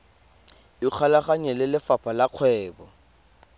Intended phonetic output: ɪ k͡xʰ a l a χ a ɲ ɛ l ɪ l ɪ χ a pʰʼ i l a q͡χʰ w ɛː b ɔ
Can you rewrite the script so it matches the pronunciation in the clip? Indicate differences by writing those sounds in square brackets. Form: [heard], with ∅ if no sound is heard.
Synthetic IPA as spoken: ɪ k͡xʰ a l a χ a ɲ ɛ l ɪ l ɪ [f] a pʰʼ [a] l a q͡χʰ w ɛː b ɔ